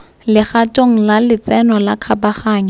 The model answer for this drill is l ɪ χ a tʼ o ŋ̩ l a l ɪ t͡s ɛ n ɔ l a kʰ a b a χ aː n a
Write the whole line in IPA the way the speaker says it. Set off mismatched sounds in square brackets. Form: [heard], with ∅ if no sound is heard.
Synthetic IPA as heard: l ɪ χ a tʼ o ŋ̩ l a l ɪ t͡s ɛ n ɔ l a kʰ a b a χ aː [ɲ] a